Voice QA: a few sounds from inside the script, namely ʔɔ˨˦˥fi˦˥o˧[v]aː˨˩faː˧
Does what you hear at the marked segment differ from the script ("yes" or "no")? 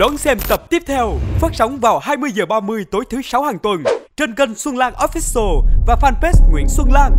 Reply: no